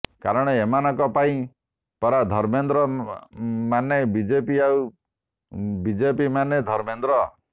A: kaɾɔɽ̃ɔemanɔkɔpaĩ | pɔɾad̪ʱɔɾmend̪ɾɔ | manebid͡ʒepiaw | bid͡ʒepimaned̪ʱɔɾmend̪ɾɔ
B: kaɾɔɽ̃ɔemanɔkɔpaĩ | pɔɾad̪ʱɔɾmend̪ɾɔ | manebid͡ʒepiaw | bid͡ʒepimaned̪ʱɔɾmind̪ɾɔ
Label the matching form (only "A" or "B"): A